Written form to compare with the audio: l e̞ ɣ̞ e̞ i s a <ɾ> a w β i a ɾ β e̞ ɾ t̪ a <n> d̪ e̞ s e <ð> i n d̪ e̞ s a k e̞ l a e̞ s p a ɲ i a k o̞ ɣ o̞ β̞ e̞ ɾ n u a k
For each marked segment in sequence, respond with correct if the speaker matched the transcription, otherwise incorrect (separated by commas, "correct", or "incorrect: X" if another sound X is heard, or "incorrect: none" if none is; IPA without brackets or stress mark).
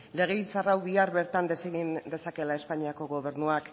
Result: incorrect: r, correct, incorrect: ɣ